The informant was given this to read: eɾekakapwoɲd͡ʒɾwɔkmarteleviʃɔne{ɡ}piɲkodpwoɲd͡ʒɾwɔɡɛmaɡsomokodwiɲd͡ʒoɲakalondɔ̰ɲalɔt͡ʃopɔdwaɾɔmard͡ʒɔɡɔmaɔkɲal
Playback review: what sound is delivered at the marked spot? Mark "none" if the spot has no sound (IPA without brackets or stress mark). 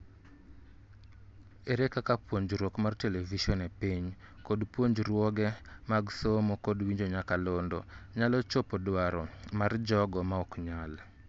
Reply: none